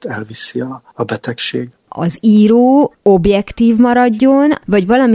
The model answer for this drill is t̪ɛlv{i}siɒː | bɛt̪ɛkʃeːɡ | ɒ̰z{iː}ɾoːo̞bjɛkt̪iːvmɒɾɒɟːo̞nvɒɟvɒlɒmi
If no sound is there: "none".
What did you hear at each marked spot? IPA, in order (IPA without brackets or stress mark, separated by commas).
i, iː